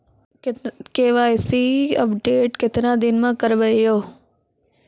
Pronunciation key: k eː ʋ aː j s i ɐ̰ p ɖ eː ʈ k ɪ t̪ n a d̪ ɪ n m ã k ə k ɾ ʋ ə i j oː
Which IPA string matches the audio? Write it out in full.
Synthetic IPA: k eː ʋ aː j s i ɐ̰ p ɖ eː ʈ k ɪ t̪ n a d̪ ɪ n m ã k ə ɾ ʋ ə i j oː